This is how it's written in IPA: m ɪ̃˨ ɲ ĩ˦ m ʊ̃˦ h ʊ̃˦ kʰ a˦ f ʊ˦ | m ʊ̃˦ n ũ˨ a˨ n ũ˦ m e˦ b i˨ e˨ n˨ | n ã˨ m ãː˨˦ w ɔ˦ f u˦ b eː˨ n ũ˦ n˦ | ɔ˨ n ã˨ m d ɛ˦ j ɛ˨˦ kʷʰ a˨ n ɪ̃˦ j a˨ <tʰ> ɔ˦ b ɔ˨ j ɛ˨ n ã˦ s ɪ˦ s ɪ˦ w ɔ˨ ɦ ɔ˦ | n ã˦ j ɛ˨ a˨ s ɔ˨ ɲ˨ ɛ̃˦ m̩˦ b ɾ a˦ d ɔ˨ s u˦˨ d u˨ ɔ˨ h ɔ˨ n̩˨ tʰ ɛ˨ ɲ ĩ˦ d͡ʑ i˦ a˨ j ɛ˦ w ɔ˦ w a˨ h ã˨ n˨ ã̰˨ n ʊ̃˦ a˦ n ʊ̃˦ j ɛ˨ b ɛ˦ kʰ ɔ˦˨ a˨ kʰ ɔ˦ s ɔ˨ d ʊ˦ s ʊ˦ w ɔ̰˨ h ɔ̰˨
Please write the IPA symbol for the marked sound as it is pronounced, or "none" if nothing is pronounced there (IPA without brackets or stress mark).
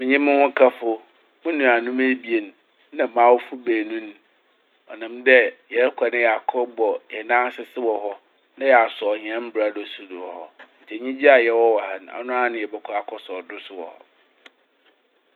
kʰ